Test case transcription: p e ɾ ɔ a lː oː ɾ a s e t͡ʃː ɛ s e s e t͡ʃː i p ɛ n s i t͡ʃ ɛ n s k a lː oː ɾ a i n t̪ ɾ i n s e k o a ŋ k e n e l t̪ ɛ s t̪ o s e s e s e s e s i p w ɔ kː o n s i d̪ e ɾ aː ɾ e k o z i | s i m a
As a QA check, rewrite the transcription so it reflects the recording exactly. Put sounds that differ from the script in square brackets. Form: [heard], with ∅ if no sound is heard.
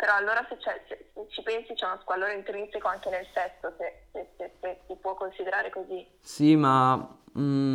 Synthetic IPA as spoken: p e ɾ ɔ a lː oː ɾ a s e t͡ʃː ɛ s e s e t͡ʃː i p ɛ n s i t͡ʃ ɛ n s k a lː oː ɾ a i n t̪ ɾ i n s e k o a ŋ k e n e l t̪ ɛ s t̪ o s e s e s e s e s i p w ɔ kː o n s i d̪ e ɾ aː ɾ e k o z i | s i m a